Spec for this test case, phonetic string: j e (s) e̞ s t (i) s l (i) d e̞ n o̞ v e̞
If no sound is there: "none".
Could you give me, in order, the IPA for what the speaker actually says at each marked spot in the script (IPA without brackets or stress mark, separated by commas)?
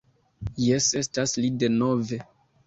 s, a, i